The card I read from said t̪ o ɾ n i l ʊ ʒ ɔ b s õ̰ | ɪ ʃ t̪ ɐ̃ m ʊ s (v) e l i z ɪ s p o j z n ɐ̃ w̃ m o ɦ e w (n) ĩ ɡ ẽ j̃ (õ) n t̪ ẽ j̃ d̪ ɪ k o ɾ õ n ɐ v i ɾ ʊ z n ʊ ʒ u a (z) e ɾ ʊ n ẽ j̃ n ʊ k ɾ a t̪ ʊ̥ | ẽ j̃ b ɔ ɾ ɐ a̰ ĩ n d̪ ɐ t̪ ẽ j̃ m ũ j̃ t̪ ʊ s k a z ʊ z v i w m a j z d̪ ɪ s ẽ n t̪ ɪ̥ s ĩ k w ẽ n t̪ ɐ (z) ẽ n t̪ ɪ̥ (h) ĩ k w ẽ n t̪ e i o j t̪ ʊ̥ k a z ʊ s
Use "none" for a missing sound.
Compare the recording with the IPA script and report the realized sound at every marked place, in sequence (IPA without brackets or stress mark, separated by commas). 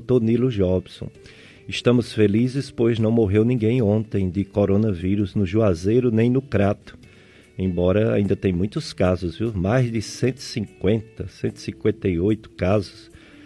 f, n, õ, z, s, s